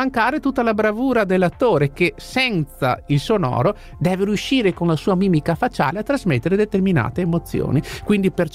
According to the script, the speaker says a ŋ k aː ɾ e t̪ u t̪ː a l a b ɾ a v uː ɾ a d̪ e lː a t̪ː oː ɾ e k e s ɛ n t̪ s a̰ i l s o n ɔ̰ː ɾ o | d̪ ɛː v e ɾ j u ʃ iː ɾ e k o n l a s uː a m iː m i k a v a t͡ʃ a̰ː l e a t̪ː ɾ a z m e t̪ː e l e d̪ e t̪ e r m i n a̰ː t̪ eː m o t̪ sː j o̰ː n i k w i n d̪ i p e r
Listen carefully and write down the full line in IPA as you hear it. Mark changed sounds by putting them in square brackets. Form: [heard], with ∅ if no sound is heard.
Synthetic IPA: a ŋ k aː ɾ e t̪ u t̪ː a l a b ɾ a v uː ɾ a d̪ e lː a t̪ː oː ɾ e k e s ɛ n t̪ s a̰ i l s o n ɔ̰ː ɾ o | d̪ ɛː v e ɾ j u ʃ iː ɾ e k o n l a s uː a m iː m i k a [f] a t͡ʃ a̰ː l e a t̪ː ɾ a z m e t̪ː e [ɾ] e d̪ e t̪ e r m i n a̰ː t̪ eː m o t̪ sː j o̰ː n i k w i n d̪ i p e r